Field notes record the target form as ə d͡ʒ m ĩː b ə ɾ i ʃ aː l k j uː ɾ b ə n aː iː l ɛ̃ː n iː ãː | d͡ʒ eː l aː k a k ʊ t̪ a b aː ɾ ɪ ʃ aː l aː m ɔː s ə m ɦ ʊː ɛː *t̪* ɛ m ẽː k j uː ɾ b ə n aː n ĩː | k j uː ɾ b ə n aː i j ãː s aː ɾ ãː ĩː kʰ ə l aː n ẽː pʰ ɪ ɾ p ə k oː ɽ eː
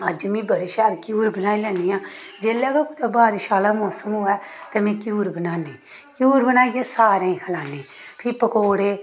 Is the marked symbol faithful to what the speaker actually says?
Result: yes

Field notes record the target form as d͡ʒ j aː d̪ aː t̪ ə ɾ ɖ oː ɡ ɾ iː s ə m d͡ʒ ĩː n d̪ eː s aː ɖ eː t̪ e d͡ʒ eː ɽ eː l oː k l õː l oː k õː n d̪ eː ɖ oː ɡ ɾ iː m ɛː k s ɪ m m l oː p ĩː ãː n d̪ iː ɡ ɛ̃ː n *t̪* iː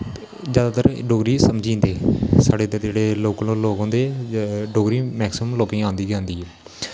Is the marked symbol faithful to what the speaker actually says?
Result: no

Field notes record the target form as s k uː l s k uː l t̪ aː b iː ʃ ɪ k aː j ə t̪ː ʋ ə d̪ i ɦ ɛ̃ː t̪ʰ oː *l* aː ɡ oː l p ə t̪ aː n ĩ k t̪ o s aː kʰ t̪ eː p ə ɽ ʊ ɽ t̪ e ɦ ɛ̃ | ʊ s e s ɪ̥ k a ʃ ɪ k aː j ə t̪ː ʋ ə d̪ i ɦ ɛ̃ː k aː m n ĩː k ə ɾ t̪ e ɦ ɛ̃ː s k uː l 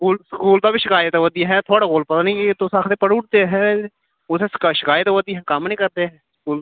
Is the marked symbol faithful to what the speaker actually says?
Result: no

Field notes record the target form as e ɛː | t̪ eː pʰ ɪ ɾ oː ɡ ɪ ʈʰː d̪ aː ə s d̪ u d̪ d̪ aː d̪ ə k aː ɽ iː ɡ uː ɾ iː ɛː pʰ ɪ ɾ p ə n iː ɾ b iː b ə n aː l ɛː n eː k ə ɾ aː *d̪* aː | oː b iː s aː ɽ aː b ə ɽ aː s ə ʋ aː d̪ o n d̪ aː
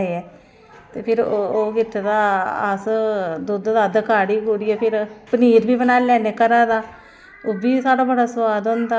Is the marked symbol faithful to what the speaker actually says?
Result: yes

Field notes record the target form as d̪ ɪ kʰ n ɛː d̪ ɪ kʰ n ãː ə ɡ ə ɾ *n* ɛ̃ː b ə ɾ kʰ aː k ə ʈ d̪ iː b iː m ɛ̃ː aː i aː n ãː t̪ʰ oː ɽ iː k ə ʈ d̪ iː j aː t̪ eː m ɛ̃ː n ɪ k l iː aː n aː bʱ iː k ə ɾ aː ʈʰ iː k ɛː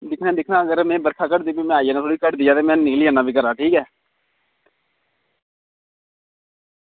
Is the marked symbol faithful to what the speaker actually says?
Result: no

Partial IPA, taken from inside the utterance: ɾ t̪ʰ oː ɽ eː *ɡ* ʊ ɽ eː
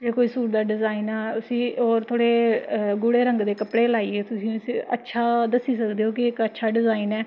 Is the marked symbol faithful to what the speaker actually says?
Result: yes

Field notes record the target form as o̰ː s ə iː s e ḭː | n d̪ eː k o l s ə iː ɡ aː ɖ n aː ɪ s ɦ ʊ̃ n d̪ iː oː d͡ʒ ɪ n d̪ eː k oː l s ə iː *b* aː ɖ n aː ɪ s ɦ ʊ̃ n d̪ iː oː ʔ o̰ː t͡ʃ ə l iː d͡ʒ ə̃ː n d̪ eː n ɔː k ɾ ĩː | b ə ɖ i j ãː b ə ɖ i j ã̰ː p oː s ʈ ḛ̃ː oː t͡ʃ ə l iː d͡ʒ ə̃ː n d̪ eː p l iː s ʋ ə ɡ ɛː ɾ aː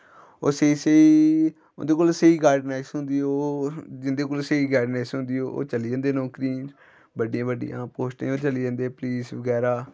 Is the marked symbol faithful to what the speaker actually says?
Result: no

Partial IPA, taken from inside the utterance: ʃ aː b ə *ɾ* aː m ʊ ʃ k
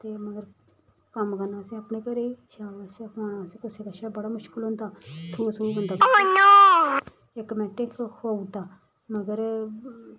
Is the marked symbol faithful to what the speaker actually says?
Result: no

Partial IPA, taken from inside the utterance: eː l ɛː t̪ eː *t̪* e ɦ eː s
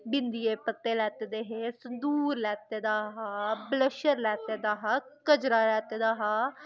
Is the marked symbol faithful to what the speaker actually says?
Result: no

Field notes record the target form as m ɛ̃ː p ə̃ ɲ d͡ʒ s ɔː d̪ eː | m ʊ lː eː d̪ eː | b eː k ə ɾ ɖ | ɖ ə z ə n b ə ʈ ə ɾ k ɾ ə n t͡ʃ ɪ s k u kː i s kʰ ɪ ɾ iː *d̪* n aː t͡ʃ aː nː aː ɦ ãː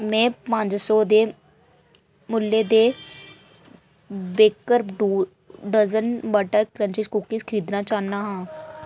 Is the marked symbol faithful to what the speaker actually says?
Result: yes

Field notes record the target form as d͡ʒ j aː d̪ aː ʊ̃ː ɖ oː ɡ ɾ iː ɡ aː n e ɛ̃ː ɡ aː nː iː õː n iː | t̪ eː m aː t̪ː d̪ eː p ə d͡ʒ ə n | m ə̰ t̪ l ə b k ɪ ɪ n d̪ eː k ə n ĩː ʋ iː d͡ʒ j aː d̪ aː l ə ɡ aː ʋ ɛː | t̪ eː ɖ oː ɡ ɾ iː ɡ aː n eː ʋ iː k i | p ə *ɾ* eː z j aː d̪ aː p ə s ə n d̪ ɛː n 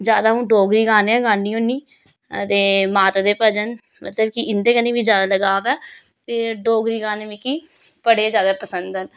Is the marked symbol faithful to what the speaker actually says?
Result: no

